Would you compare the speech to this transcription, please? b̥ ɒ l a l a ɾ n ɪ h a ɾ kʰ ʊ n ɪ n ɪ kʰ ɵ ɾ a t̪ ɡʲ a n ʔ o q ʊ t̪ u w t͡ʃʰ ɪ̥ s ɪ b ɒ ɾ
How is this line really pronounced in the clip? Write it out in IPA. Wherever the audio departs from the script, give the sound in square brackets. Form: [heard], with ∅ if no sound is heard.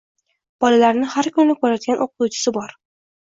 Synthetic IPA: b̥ ɒ l a l a ɾ n ɪ h a ɾ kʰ ʊ n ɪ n ɪ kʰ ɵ ɾ a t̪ ɡʲ a n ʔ o q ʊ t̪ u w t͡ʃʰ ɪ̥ s ɪ b ɒ ɾ